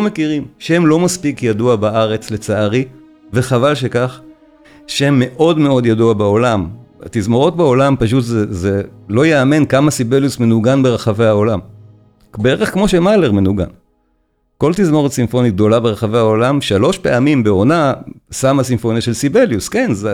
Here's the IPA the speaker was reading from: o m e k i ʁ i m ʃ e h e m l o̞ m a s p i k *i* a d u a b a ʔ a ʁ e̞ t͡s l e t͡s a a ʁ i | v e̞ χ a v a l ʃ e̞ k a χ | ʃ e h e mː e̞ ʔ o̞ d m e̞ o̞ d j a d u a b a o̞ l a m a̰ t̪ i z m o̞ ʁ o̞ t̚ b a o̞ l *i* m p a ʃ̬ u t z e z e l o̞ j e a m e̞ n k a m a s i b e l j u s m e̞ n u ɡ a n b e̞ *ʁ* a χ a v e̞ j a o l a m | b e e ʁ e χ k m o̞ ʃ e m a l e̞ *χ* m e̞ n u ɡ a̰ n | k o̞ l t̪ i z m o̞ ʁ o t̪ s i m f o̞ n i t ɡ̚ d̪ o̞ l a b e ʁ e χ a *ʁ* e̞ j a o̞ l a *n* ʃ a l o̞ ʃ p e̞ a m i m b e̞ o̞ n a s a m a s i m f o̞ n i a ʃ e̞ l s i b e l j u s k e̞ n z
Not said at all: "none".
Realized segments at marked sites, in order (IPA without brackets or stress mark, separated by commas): j, a, ʁ, ʁ, v, m